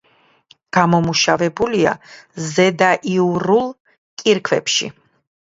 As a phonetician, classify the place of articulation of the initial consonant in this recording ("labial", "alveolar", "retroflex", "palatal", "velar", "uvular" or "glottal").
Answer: velar